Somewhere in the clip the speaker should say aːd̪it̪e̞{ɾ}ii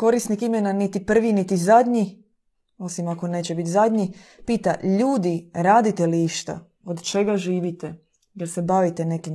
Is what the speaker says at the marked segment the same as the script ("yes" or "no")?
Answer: no